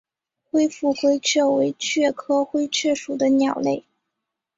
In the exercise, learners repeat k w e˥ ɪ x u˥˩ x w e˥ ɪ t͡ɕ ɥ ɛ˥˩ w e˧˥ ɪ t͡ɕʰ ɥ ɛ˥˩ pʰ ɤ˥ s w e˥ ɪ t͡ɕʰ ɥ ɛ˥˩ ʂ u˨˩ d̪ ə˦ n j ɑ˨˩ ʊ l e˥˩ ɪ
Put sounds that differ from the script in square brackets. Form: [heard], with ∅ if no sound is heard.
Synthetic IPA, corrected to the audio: [x] w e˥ ɪ [f] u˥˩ x w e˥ ɪ [t͡ɕʰ] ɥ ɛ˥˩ w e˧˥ ɪ t͡ɕʰ ɥ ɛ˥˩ [kʰ] ɤ˥ [x] w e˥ ɪ t͡ɕʰ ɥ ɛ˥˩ ʂ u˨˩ d̪ ə˦ n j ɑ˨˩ ʊ l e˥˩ ɪ